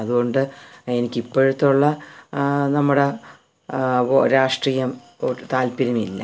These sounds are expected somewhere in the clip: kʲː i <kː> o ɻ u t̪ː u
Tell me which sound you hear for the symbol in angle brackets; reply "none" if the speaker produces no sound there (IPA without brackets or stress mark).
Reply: pː